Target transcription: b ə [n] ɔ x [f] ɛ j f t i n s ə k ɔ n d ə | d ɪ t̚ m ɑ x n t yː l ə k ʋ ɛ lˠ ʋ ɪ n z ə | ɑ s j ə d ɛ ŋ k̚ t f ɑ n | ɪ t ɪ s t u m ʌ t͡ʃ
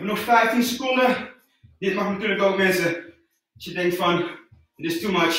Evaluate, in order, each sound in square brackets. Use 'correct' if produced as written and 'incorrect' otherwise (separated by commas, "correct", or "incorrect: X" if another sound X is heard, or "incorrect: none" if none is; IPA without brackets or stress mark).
correct, correct